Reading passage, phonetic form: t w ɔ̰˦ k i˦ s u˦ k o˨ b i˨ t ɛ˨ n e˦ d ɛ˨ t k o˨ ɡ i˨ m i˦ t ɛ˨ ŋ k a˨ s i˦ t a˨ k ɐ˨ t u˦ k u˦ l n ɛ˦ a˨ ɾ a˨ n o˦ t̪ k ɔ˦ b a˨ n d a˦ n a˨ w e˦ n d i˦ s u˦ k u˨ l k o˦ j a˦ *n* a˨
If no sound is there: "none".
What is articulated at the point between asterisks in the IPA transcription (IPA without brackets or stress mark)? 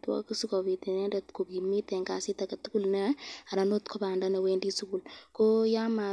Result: m